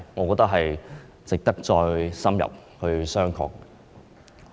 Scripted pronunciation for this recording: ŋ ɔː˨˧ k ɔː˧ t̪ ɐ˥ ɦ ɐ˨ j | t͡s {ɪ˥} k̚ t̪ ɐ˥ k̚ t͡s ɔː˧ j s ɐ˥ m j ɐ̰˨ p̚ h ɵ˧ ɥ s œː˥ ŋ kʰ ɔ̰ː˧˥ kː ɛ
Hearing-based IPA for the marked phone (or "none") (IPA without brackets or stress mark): ɪ˨